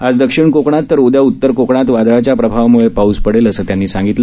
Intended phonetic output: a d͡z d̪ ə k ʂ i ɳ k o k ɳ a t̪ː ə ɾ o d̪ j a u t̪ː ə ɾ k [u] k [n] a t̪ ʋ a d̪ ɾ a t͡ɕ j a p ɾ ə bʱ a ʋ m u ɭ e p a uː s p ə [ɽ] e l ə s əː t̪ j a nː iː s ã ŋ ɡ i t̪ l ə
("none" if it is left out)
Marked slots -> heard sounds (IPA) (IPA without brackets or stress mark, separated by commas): o, ɳ, ɽ